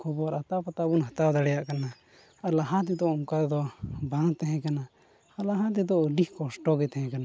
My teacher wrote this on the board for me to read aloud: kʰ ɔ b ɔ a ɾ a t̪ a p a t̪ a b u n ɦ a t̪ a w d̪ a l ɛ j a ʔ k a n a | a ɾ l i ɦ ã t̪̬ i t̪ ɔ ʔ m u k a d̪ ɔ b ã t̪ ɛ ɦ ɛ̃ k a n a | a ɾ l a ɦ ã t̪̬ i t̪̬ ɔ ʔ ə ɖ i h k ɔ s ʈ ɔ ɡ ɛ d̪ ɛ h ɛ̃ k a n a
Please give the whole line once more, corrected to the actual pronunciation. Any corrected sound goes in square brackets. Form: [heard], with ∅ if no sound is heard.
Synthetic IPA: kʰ ɔ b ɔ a ɾ a t̪ a p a t̪ a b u n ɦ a t̪ a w d̪ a [ɽ] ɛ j a ʔ k a n a | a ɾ l [a] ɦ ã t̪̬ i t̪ ɔ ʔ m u k a d̪ ɔ b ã t̪ ɛ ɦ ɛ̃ k a n a | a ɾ l a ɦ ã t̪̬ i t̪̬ ɔ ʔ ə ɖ i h k ɔ s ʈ ɔ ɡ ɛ [t̪] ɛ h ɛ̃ k a n a